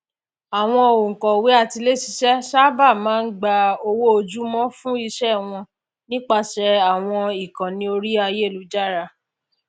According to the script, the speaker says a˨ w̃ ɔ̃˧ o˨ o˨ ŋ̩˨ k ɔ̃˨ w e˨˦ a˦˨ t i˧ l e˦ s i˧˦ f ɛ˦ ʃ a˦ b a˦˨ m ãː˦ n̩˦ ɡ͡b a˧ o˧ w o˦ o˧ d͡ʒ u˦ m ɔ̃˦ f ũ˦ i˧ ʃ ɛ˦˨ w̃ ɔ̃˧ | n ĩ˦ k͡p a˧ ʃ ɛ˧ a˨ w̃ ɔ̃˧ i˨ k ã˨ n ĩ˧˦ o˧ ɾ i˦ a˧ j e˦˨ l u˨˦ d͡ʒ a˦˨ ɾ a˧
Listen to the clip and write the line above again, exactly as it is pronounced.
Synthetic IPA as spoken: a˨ w̃ ɔ̃˧ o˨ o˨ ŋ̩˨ k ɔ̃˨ w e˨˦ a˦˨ t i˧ l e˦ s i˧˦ ʃ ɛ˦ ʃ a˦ b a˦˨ m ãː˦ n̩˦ ɡ͡b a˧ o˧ w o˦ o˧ d͡ʒ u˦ m ɔ̃˦ f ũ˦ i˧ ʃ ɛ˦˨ w̃ ɔ̃˧ | n ĩ˦ k͡p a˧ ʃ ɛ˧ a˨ w̃ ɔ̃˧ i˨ k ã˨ n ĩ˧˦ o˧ ɾ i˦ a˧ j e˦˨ l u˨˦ d͡ʒ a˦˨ ɾ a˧